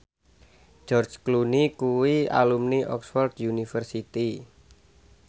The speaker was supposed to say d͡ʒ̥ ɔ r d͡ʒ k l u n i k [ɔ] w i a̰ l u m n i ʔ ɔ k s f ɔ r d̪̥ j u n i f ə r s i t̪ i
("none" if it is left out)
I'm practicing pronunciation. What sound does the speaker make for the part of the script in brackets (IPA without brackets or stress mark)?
u